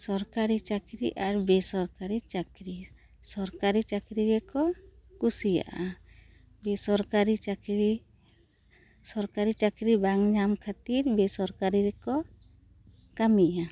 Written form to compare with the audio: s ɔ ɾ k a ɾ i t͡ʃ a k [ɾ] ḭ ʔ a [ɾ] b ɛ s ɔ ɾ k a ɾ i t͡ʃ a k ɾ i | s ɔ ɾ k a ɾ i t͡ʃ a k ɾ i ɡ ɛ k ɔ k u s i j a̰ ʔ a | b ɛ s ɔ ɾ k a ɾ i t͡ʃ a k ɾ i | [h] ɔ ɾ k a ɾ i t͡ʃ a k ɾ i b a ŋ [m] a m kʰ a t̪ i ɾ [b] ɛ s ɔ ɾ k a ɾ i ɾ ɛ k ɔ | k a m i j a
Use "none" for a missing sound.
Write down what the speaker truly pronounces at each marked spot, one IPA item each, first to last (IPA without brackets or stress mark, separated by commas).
ɾ, ɾ, s, ɲ, b